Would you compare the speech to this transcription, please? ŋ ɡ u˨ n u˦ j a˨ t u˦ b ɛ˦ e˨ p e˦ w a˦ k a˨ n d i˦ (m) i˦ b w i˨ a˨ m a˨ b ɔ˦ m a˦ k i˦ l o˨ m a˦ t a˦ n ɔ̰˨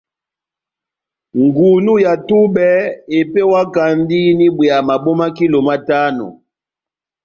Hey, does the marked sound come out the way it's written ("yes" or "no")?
no